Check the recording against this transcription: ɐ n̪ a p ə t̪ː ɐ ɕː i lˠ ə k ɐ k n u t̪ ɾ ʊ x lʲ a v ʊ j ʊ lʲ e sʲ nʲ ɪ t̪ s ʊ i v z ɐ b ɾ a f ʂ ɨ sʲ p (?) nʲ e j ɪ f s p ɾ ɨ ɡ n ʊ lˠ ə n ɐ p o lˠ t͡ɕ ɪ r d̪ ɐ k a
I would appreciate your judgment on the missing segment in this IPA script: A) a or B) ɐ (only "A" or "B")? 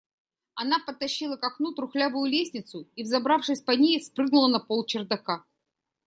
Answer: B